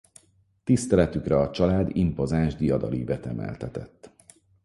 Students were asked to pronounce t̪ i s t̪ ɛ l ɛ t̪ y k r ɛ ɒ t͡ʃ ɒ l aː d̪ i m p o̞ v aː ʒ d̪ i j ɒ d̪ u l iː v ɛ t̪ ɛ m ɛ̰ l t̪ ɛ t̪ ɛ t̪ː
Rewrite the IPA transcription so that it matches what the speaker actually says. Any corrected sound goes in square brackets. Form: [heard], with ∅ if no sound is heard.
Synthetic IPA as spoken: t̪ i s t̪ ɛ l ɛ t̪ y k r ɛ ɒ t͡ʃ ɒ l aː d̪ i m p o̞ [z] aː ʒ d̪ i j ɒ d̪ [ɒ] l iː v ɛ t̪ ɛ m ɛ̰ l t̪ ɛ t̪ ɛ t̪ː